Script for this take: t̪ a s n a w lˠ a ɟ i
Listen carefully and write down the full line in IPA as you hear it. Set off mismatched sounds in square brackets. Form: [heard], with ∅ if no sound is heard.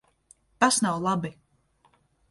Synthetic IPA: t̪ a s n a w lˠ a [b] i